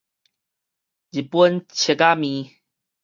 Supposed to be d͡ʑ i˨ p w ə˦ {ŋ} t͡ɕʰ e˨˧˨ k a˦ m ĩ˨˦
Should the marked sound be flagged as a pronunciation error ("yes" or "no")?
yes